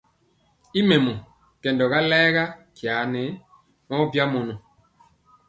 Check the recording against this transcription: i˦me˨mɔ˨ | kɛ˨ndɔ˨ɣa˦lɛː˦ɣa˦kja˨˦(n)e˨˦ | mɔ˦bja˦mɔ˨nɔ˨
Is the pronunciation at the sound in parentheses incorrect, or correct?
correct